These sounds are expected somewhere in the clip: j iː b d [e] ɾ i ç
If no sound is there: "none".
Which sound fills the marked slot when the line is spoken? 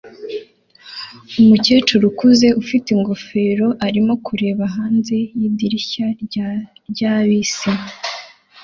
i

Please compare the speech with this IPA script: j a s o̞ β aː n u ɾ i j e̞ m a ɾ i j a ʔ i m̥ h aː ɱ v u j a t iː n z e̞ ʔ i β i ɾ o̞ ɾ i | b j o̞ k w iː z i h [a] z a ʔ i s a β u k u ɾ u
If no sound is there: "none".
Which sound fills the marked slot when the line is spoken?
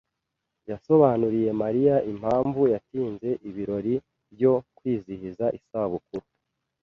i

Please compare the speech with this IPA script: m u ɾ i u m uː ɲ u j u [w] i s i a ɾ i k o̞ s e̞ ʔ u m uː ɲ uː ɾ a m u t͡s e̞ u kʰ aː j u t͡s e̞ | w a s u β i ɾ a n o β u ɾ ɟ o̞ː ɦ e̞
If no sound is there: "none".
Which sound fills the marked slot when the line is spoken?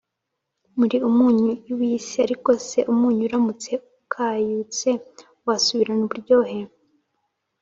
w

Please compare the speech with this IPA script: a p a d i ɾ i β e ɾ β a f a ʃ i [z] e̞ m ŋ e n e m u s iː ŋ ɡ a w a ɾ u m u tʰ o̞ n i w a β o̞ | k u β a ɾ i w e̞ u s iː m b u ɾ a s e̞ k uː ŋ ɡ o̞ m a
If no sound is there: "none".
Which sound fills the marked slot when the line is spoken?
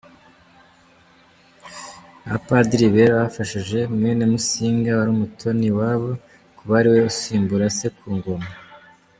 ʒ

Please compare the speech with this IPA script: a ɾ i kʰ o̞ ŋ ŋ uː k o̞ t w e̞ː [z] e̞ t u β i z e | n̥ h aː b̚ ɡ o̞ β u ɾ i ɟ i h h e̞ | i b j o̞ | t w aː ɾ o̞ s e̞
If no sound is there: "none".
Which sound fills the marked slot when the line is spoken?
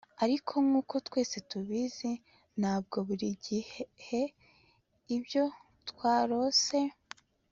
s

